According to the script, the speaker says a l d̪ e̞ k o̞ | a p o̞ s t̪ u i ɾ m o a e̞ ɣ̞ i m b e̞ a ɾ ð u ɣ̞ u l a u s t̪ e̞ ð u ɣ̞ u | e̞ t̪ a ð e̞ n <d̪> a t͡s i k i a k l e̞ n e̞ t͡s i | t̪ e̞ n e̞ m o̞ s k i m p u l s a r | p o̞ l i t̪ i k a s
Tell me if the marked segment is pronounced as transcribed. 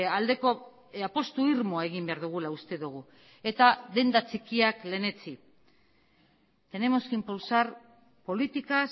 yes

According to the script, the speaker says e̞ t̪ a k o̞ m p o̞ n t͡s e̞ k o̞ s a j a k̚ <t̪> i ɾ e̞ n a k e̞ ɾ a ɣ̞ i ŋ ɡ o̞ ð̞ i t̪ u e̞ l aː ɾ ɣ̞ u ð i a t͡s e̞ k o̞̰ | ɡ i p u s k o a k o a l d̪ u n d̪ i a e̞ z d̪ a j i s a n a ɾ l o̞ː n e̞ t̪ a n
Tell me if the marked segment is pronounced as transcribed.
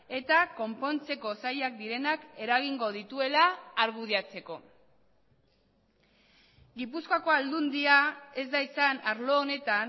no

